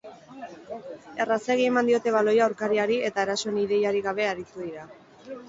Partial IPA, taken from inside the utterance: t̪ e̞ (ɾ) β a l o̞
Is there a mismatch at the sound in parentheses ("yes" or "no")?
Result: yes